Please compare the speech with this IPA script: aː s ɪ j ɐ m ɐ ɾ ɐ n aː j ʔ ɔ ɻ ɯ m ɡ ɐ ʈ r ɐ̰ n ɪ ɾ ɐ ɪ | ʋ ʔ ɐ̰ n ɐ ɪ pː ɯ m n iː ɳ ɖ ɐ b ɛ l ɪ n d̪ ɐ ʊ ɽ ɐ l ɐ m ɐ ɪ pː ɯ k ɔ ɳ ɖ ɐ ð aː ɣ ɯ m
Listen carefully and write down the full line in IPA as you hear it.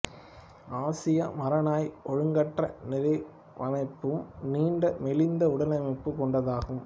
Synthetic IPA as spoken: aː s ɪ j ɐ m ɐ ɾ ɐ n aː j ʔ ɔ ɻ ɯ ŋ ɡ ɐ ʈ r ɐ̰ n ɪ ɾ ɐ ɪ | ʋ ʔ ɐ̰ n ɐ ɪ pː ɯ m n iː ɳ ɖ ɐ m ɛ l ɪ n d̪ ɐ ʊ ɽ ɐ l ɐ m ɐ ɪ pː ɯ k ɔ ɳ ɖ ɐ ð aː ɣ ɯ m